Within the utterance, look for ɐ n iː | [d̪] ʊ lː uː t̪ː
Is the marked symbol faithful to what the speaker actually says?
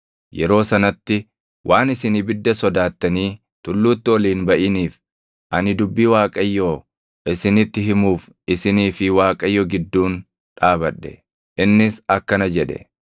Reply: no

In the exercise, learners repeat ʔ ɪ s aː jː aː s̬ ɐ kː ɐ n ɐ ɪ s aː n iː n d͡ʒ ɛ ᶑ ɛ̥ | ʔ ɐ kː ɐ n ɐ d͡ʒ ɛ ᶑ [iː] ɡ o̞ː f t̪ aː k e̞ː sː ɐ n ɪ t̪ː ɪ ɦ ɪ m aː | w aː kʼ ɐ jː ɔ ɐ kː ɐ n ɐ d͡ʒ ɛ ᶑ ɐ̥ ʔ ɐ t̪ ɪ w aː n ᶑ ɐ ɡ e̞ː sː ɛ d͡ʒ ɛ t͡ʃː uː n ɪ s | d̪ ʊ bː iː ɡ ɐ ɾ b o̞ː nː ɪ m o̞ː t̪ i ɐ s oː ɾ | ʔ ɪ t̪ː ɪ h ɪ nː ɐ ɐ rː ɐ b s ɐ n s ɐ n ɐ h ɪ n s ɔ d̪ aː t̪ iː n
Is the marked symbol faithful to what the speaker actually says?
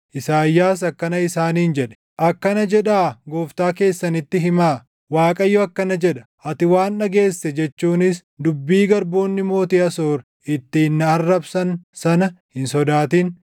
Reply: no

